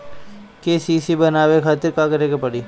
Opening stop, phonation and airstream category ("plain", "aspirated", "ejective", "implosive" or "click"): plain